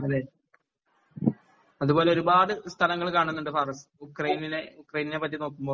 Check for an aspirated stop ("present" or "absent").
present